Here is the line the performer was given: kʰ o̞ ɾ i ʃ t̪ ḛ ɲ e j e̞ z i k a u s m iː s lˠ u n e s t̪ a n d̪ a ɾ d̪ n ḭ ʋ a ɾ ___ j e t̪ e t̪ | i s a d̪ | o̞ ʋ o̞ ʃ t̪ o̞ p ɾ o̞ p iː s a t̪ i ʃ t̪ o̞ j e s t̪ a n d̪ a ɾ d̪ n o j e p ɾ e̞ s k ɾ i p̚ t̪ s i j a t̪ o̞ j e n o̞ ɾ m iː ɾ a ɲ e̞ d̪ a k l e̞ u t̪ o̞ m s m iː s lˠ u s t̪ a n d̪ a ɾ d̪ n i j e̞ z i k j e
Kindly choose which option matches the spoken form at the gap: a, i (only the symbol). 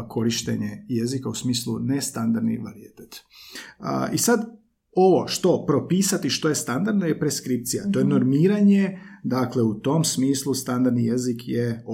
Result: i